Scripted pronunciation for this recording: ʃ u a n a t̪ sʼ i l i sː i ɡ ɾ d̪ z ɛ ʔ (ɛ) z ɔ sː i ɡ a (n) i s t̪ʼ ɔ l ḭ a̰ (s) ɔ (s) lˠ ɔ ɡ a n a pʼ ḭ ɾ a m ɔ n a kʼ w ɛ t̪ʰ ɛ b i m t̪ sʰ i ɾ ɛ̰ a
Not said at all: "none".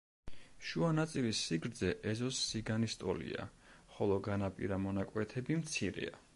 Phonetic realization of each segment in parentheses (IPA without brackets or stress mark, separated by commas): ɛ, n, χ, none